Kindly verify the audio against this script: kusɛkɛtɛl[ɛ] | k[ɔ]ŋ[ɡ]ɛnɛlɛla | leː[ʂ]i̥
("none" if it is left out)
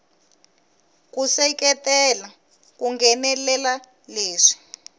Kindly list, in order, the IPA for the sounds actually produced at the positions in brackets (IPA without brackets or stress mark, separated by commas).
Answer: a, u, ɡ, ʂ